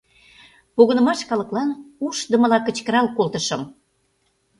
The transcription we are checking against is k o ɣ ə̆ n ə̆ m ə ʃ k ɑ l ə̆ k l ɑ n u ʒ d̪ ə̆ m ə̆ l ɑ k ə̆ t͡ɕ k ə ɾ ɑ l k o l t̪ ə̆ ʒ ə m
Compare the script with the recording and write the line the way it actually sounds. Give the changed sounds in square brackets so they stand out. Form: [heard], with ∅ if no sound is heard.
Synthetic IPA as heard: [p] o ɣ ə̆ n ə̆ m [ɑ] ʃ k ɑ l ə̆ k l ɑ n u [ʃ] d̪ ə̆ m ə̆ l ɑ k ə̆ t͡ɕ k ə ɾ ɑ l k o l t̪ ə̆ [ʃ] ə m